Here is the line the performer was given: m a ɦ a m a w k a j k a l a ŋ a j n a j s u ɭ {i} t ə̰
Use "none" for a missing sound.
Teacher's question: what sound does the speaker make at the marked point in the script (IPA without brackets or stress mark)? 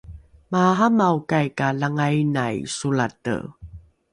a